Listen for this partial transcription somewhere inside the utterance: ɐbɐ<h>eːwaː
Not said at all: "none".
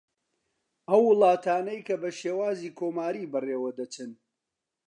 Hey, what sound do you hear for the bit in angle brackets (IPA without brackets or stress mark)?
ʃ